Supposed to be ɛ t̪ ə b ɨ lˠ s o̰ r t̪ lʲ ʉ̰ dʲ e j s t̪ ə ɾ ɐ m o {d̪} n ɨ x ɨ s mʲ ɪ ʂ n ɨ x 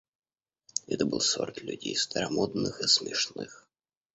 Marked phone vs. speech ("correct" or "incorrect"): correct